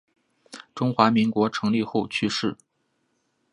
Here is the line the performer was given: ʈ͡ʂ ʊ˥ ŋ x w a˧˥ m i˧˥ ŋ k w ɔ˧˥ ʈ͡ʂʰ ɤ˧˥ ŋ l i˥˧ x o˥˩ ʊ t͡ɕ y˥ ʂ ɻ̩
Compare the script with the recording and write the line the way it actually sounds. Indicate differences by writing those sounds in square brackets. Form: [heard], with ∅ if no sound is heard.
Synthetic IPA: ʈ͡ʂ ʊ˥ ŋ x w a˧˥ m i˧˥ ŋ k w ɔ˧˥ ʈ͡ʂʰ ɤ˧˥ ŋ l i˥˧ x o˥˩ ʊ [t͡ɕʰ] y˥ ʂ ɻ̩